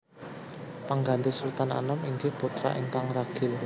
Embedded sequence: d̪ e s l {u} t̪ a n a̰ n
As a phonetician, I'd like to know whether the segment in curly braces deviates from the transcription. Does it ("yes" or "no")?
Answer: no